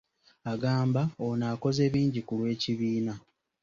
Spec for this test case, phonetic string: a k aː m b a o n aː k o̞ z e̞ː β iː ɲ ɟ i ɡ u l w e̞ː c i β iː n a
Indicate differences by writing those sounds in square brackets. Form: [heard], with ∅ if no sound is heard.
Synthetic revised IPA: a [ɡ] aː m b a o n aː k o̞ z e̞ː β iː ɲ ɟ i [k] u l w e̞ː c i β iː n a